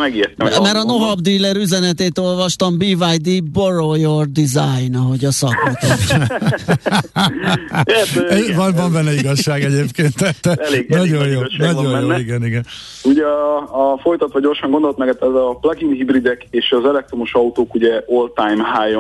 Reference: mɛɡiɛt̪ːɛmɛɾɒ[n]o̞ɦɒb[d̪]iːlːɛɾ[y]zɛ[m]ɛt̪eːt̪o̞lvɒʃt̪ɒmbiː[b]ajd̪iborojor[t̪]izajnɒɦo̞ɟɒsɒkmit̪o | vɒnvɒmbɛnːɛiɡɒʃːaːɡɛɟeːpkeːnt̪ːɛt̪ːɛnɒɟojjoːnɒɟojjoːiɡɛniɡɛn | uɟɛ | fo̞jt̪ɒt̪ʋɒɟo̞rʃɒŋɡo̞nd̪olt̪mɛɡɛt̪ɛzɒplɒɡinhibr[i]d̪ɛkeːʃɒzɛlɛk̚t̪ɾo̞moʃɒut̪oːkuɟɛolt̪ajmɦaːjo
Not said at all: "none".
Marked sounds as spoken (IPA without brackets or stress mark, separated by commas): n, d̪, y, n, v, d̪, i